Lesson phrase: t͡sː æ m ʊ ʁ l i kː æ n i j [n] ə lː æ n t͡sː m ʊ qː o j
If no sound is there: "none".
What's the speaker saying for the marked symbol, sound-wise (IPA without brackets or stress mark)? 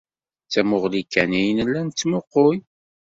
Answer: n